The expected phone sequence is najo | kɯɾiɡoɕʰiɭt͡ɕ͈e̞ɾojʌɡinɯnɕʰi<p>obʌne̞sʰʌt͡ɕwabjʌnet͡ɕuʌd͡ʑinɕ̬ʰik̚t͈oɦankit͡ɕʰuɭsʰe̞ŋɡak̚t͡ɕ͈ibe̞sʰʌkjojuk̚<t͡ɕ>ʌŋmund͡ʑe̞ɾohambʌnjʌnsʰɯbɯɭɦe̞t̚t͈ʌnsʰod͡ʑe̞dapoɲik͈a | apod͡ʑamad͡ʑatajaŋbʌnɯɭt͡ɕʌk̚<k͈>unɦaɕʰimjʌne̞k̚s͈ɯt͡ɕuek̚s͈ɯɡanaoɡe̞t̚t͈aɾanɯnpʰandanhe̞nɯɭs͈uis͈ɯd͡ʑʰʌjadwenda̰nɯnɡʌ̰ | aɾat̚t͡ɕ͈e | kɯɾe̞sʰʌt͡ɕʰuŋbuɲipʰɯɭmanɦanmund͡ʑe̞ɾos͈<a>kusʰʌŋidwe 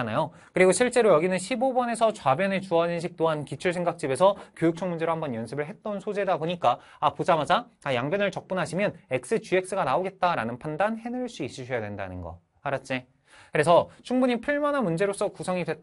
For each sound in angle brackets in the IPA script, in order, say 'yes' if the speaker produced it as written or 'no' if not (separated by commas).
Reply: no, no, no, no